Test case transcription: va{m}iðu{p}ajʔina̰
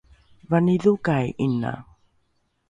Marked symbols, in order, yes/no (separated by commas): no, no